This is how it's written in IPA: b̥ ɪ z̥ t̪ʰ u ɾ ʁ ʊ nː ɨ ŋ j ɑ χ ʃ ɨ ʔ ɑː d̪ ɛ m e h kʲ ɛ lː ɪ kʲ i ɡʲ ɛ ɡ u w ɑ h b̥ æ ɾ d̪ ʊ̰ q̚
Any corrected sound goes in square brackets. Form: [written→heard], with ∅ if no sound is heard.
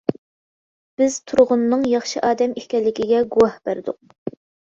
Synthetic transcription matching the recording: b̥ ɪ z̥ t̪ʰ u ɾ ʁ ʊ nː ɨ ŋ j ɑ χ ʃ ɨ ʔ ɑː d̪ ɛ m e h kʲ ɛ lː ɪ kʲ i ɡʲ ɛ ɡ u w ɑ h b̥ æ ɾ d̪ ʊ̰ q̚